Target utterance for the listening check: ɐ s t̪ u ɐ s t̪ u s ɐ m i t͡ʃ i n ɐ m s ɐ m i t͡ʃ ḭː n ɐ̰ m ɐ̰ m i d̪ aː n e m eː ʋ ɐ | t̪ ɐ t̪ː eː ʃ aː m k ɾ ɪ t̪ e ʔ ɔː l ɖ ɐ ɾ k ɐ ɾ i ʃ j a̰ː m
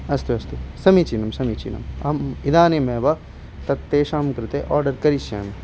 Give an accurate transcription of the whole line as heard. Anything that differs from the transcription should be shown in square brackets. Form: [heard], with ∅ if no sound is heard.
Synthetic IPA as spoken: ɐ s t̪ u ɐ s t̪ u s ɐ m i t͡ʃ i n ɐ m s ɐ m i t͡ʃ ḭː n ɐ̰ m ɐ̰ m i d̪ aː n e m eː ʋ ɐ | t̪ ɐ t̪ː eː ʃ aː m k ɾ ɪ t̪ e ʔ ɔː [ɾ] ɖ ɐ ɾ k ɐ ɾ i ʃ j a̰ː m

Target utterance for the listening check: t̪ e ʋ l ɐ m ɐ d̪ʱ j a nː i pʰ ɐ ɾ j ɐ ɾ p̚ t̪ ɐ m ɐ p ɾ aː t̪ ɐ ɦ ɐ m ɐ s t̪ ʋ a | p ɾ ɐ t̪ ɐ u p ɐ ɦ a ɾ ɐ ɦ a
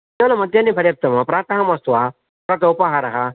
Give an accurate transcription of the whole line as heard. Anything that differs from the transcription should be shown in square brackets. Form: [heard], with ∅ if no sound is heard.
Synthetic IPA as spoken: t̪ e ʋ l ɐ m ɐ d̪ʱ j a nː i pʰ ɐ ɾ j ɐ [∅] p̚ t̪ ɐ m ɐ p ɾ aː t̪ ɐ ɦ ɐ m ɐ s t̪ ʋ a | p ɾ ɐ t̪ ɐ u p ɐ ɦ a ɾ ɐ ɦ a

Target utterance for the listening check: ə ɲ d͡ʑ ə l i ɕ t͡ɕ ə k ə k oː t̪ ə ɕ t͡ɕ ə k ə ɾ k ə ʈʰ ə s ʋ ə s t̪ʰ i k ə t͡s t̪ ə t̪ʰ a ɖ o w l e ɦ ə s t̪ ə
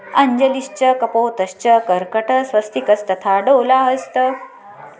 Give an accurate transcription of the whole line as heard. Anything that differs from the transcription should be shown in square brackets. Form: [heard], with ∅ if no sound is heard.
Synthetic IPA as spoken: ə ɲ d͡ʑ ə l i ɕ t͡ɕ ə k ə [p] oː t̪ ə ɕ t͡ɕ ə k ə ɾ k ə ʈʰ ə s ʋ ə s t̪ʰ i k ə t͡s t̪ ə t̪ʰ a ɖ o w l [a] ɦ ə s t̪ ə

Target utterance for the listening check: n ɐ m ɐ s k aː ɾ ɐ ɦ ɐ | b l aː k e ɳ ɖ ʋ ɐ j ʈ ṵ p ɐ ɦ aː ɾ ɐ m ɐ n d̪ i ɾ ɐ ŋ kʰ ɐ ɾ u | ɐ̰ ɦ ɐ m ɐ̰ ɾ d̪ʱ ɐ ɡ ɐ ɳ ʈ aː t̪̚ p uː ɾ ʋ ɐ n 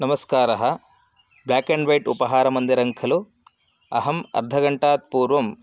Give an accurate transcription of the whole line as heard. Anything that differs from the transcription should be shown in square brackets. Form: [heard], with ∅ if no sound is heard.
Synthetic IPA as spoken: n ɐ m ɐ s k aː ɾ ɐ ɦ ɐ | b l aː k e ɳ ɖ ʋ ɐ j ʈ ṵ p ɐ ɦ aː ɾ ɐ m ɐ n d̪ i ɾ ɐ ŋ kʰ ɐ [l] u | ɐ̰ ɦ ɐ m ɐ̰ ɾ d̪ʱ ɐ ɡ ɐ ɳ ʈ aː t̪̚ p uː ɾ ʋ ɐ [m]

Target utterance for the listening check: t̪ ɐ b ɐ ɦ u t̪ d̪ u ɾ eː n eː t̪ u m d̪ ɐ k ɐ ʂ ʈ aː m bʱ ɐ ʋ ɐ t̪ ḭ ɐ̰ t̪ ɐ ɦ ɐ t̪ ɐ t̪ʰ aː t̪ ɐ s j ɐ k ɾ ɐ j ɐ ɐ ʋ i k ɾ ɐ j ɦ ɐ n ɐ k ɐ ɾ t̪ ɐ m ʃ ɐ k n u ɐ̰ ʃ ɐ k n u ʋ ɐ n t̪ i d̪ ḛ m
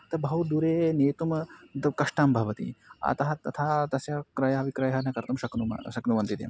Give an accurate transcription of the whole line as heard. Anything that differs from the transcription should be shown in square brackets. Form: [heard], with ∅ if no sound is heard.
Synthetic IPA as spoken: t̪ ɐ b ɐ ɦ u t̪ d̪ u ɾ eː n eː t̪ u m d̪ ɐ k ɐ ʂ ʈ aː m bʱ ɐ ʋ ɐ t̪ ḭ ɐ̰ t̪ ɐ ɦ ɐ t̪ ɐ t̪ʰ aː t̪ ɐ s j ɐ k ɾ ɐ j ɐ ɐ ʋ i k ɾ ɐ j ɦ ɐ n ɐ k ɐ ɾ t̪ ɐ m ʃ ɐ k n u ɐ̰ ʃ ɐ k n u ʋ ɐ n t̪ i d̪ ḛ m

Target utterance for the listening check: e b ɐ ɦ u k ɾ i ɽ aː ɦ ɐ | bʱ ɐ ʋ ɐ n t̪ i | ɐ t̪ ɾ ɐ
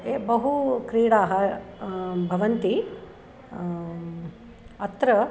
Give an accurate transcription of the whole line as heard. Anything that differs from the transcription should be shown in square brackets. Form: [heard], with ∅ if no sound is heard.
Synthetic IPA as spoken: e b ɐ ɦ u k ɾ [iː] ɽ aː ɦ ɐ | bʱ ɐ ʋ ɐ n t̪ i | ɐ t̪ ɾ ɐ

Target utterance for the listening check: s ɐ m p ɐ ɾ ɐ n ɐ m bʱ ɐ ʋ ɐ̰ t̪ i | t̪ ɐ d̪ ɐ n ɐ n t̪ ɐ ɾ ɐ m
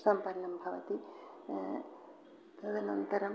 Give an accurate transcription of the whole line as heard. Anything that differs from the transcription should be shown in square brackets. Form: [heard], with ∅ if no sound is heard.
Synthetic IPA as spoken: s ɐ m p ɐ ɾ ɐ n ɐ m bʱ ɐ ʋ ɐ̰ t̪ i | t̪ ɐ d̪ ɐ n ɐ n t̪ ɐ ɾ ɐ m

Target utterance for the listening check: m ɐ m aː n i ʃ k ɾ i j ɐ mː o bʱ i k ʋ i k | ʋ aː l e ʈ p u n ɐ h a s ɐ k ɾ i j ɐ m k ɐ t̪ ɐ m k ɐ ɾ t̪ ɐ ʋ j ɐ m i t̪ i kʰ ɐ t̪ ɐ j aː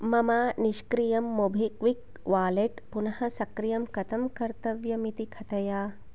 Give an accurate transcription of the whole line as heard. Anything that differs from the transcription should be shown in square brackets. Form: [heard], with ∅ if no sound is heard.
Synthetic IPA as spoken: m ɐ m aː n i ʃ k ɾ i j ɐ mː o bʱ i k ʋ i k | ʋ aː l e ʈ p u n ɐ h [ɐ] s ɐ k ɾ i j ɐ m k ɐ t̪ ɐ m k ɐ ɾ t̪ ɐ ʋ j ɐ m i t̪ i kʰ ɐ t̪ ɐ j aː

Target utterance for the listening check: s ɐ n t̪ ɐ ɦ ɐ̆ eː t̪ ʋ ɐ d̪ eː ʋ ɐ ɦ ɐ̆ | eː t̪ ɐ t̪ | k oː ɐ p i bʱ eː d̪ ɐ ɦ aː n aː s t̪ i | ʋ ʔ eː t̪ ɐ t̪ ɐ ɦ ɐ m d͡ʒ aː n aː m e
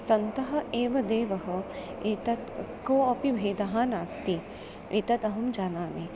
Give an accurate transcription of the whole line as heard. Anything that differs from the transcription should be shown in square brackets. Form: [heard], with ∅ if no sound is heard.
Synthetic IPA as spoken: s ɐ n t̪ ɐ ɦ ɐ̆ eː [∅] ʋ ɐ d̪ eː ʋ ɐ ɦ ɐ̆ | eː t̪ ɐ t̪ | k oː ɐ p i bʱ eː d̪ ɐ ɦ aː n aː s t̪ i | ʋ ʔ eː t̪ ɐ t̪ ɐ ɦ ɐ m d͡ʒ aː n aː m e

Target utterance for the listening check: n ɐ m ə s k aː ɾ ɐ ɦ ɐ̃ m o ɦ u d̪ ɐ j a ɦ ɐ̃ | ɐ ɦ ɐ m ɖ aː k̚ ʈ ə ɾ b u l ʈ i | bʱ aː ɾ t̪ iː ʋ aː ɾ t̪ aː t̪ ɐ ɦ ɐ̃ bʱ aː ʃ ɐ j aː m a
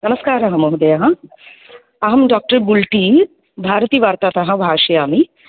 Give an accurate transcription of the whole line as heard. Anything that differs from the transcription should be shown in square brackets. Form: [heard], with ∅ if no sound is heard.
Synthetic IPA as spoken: n ɐ m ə s k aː ɾ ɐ ɦ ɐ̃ m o ɦ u d̪ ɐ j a ɦ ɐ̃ | ɐ ɦ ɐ m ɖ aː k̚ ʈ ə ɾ b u l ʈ i | bʱ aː ɾ t̪ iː ʋ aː ɾ t̪ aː t̪ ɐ ɦ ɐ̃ bʱ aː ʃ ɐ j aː m [i]

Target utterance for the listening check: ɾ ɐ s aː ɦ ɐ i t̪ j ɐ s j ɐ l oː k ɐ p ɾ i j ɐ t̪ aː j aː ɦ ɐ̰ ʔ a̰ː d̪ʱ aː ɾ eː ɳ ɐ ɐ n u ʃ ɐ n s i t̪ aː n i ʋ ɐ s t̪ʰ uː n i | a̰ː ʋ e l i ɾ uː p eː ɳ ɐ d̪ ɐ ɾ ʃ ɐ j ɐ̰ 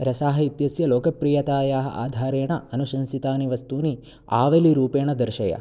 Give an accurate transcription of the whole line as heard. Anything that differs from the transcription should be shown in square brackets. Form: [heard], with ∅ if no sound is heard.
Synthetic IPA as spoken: ɾ ɐ s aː ɦ ɐ i t̪ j ɐ s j ɐ l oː k ɐ p ɾ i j ɐ t̪ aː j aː ɦ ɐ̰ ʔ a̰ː d̪ʱ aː ɾ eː ɳ ɐ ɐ n u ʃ ɐ n s i t̪ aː n i ʋ ɐ s [t̪] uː n i | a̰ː ʋ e l i ɾ uː p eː ɳ ɐ d̪ ɐ ɾ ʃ ɐ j ɐ̰

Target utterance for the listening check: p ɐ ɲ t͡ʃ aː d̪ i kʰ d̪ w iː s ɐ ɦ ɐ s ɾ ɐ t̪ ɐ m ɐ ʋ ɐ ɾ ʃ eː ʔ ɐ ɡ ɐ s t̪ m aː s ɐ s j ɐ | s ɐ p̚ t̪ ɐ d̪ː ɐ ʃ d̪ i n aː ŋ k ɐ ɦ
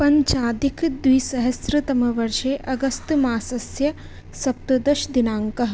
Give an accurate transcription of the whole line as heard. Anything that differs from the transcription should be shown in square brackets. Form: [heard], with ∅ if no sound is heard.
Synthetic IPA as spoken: p ɐ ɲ t͡ʃ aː d̪ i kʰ d̪ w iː s ɐ ɦ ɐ s ɾ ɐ t̪ ɐ m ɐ ʋ ɐ ɾ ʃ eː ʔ ɐ ɡ ɐ s t̪ m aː s ɐ s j ɐ | s ɐ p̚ t̪ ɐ [d̪] ɐ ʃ d̪ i n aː ŋ k ɐ ɦ

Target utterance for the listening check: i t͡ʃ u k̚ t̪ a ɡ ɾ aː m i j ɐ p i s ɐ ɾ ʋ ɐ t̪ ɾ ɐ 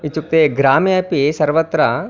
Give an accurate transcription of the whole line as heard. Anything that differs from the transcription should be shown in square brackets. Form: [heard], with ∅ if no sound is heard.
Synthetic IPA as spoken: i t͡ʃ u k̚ t̪ [e] ɡ ɾ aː m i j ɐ p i s ɐ ɾ ʋ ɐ t̪ ɾ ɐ

